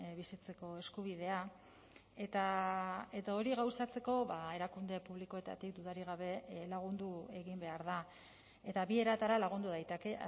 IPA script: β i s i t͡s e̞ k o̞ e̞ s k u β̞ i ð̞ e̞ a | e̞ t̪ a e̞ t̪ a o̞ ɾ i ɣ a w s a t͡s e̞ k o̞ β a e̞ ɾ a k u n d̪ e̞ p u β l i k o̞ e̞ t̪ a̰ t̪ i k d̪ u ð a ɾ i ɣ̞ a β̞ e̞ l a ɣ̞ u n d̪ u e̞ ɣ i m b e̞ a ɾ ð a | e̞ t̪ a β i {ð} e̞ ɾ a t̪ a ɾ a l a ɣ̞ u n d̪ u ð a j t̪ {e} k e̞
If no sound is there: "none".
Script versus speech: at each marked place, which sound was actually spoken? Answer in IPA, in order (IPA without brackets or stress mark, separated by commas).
none, e